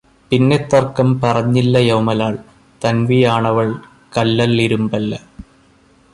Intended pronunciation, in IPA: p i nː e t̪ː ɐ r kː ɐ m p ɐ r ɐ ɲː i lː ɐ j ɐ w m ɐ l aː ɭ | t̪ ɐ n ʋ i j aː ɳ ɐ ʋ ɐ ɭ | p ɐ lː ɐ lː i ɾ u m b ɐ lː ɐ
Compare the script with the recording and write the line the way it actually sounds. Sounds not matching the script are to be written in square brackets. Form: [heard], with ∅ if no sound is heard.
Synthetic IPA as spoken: p i nː e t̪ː ɐ r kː ɐ m p ɐ r ɐ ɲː i lː ɐ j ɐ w m ɐ l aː ɭ | t̪ ɐ n ʋ i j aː ɳ ɐ ʋ ɐ ɭ | [k] ɐ lː ɐ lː i ɾ u m b ɐ lː ɐ